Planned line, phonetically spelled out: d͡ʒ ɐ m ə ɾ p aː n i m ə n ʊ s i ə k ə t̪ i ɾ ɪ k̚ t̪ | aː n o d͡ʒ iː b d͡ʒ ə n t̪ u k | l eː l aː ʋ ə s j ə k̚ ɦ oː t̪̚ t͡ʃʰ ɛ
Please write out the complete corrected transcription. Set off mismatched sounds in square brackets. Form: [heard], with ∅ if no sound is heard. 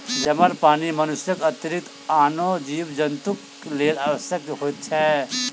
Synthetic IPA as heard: d͡ʒ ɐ m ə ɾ p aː n i m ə n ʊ s [j] ə k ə t̪ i ɾ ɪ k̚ t̪ | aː n o d͡ʒ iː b d͡ʒ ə n t̪ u k | l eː l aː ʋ ə s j ə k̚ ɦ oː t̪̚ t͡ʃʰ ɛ